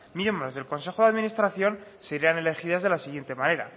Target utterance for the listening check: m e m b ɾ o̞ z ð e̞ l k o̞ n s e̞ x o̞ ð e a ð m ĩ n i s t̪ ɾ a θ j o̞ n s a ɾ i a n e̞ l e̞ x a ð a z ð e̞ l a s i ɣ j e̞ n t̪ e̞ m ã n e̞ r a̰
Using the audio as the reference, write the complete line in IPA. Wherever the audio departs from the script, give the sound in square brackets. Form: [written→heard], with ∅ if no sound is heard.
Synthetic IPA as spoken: m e m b ɾ o̞ z ð e̞ l k o̞ n s e̞ x o̞ ð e a ð m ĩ n i s t̪ ɾ a θ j o̞ n s [a→e] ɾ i a n e̞ l e̞ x [a→i] ð a z ð e̞ l a s i ɣ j e̞ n t̪ e̞ m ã n e̞ [r→ɾ] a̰